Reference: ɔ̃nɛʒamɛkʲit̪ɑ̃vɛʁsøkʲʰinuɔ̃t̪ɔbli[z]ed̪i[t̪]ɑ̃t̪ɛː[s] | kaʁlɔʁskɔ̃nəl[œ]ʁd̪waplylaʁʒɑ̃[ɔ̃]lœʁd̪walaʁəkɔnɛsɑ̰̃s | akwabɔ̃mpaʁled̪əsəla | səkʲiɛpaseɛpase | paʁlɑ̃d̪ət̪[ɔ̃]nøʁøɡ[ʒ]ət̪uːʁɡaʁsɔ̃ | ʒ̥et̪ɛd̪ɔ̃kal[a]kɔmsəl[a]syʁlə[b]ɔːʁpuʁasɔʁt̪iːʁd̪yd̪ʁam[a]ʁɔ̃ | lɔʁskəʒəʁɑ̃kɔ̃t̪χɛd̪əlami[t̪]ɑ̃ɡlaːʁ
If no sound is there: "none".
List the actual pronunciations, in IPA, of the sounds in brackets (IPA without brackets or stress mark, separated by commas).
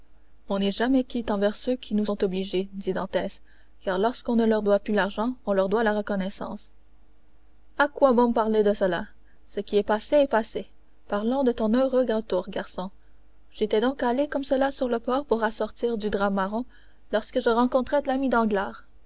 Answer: ʒ, d̪, s, œ, ɔ̃, ɔ̃, ʁ, e, a, p, a, d̪